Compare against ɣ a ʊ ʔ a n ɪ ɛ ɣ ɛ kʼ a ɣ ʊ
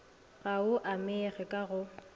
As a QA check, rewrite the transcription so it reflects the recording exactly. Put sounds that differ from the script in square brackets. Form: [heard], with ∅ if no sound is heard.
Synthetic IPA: ɣ a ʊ ʔ a [m] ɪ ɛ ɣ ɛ kʼ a ɣ ʊ